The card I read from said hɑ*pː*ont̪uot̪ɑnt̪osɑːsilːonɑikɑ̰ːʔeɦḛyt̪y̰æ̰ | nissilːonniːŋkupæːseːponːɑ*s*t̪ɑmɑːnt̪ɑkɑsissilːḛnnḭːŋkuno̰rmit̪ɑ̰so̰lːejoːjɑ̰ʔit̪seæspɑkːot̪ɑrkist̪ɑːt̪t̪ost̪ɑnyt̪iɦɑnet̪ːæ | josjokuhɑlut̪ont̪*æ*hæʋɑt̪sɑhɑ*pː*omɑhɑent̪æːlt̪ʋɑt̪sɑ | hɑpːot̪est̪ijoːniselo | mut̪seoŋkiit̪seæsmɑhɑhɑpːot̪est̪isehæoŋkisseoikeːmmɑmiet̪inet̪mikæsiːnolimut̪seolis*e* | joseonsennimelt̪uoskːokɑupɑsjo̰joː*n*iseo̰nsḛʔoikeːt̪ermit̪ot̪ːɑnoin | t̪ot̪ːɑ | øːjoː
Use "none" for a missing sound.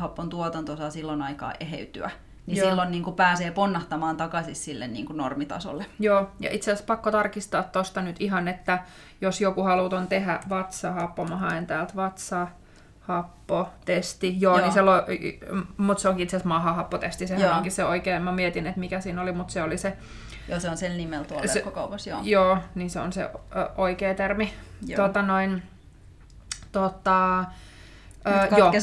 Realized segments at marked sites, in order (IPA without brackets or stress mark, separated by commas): pː, h, e, pː, e, n